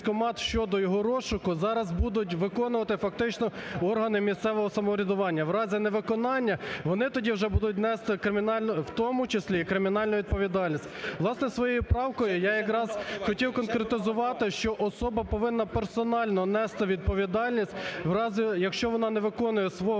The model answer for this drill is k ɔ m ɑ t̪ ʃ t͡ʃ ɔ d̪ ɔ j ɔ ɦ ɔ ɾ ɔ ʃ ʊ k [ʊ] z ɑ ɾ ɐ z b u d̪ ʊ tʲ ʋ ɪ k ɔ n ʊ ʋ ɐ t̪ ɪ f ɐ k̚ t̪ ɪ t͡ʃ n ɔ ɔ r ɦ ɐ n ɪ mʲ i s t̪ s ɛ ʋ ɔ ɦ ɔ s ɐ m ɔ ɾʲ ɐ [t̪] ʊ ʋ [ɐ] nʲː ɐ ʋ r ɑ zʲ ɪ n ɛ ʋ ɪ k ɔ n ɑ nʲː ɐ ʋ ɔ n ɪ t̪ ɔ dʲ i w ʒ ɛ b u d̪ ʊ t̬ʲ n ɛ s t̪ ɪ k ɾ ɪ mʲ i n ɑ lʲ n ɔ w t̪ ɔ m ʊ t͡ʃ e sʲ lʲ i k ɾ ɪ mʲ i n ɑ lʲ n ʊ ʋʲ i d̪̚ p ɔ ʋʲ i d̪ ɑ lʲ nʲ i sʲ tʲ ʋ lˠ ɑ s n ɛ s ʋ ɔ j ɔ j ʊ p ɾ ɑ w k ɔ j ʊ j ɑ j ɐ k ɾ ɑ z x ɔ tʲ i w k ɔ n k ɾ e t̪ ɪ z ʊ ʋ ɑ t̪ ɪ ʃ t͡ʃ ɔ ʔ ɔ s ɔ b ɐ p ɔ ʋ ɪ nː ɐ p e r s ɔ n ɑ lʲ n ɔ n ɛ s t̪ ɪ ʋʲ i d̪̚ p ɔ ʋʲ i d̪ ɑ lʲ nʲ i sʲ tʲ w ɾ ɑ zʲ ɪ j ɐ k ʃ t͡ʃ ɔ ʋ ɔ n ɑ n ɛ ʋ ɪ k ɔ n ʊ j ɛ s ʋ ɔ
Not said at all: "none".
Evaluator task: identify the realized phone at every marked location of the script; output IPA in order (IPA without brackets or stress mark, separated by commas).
ʊ, d̪, ɑ